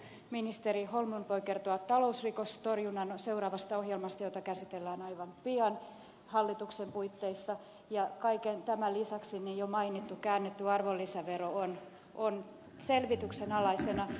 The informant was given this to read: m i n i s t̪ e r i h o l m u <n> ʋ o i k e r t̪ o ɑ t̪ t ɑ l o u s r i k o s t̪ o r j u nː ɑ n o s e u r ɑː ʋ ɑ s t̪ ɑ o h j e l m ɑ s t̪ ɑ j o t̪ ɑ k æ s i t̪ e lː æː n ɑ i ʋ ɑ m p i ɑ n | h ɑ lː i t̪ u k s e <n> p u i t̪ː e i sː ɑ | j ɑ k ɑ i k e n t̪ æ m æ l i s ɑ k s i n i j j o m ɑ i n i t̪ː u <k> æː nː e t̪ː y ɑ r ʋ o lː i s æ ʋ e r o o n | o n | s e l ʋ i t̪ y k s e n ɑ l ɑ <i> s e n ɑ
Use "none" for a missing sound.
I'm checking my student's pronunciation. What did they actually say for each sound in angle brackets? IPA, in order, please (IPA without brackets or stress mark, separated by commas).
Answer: n, m, k, i